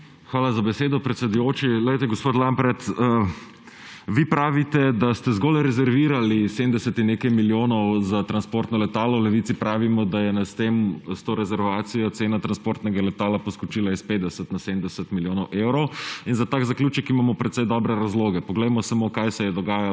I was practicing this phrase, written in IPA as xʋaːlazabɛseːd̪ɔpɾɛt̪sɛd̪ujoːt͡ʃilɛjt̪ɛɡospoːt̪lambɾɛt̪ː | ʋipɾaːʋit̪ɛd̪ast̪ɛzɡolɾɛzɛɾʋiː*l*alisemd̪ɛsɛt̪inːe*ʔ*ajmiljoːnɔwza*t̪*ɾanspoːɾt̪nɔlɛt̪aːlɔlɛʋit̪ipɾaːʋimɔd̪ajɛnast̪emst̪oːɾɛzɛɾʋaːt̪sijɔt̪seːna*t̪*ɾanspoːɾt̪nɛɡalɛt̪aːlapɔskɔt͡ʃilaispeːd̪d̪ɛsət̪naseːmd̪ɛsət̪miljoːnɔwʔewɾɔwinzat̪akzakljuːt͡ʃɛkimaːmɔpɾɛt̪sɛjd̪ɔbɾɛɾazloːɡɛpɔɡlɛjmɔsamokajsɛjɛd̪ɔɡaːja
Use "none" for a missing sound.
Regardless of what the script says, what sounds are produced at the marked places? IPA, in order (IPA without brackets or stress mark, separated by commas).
ɾ, k, t̪, t̪